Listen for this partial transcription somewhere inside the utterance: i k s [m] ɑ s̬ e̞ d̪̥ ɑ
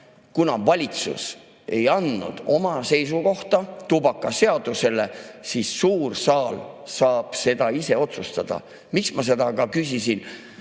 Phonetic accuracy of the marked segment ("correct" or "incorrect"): correct